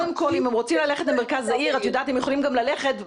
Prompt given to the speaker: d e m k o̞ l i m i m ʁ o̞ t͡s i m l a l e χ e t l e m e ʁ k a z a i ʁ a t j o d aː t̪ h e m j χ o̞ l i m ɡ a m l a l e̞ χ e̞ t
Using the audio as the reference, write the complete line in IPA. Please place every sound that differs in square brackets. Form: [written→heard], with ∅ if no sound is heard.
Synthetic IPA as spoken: d e m k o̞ l i m [i→e] m ʁ o̞ t͡s i m l a l e χ e t l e m e ʁ k a z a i ʁ a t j o d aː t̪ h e m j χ o̞ l i m ɡ a m l a l e̞ χ e̞ t